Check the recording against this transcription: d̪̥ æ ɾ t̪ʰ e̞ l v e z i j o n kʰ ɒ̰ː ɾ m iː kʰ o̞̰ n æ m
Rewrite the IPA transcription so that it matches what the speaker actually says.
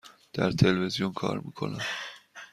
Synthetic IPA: d̪̥ æ ɾ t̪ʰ e̞ l v e z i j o n kʰ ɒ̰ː ɾ m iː kʰ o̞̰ n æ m